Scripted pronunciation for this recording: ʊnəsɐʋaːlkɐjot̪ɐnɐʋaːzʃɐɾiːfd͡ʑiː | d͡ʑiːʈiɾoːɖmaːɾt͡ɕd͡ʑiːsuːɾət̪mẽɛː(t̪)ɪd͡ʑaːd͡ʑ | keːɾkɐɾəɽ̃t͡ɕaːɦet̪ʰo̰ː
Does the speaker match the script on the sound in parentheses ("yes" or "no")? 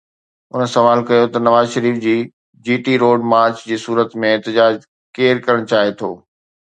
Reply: yes